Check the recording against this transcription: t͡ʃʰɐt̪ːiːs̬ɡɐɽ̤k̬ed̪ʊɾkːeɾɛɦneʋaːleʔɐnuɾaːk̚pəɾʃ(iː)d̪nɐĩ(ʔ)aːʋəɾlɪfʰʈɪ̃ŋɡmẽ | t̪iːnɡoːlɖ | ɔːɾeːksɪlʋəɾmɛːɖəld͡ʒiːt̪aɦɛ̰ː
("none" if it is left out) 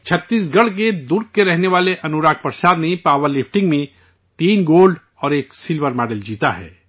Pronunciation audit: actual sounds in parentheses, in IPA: aː, p

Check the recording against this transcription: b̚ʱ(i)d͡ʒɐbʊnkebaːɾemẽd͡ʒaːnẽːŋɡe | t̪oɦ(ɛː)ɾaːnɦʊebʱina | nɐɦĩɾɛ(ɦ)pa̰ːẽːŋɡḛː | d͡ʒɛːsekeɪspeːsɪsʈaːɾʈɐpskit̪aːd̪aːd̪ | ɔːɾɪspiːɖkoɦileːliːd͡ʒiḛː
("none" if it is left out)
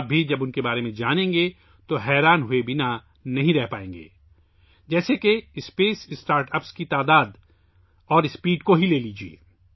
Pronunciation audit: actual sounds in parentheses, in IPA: i, ɛː, ɦ

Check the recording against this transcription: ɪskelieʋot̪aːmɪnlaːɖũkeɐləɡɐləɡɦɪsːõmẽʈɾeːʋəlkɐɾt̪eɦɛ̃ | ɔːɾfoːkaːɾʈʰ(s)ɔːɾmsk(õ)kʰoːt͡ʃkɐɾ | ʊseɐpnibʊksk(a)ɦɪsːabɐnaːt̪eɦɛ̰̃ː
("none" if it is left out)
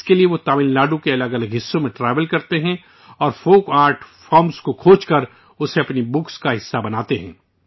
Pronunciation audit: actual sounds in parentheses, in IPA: f, o, a

